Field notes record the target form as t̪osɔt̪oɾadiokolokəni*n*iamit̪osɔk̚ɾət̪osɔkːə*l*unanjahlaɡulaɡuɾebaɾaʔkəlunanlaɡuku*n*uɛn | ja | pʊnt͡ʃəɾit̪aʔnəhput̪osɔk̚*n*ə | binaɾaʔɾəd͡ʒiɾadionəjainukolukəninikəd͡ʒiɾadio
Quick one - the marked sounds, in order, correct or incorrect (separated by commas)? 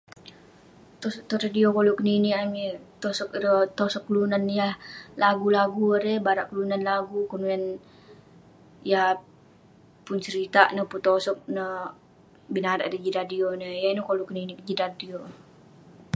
correct, correct, correct, correct